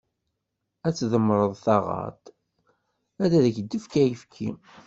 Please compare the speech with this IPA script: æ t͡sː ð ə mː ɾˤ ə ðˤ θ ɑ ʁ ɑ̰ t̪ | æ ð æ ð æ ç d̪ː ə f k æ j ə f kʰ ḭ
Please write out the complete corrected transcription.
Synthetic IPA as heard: æ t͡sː ð ə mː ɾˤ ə ðˤ θ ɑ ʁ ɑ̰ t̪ | æ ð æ ð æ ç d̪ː ə f k æ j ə f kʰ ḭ